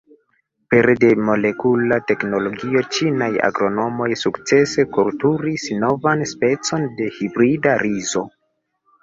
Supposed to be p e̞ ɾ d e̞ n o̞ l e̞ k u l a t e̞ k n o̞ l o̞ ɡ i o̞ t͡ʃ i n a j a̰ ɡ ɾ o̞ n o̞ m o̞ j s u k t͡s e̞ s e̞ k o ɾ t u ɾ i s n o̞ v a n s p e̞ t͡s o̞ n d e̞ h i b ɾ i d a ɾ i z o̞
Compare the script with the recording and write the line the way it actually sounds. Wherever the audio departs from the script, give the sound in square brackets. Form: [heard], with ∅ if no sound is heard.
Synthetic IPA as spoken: p e̞ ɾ d e̞ [m] o̞ l e̞ k u l a t e̞ k n o̞ l o̞ ɡ i o̞ t͡ʃ i n a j a̰ ɡ ɾ o̞ n o̞ m o̞ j s u k t͡s e̞ s e̞ k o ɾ t u ɾ i s n o̞ v a n s p e̞ t͡s o̞ n d e̞ h i b ɾ i d a ɾ i z o̞